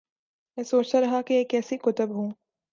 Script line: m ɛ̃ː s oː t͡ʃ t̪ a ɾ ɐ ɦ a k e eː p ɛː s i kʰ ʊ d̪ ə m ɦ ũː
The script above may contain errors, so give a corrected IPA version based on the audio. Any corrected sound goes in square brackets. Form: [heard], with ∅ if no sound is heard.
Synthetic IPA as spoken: m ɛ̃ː s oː t͡ʃ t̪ a ɾ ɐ ɦ a k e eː [k] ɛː s i [k] ʊ [t̪] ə [b] ɦ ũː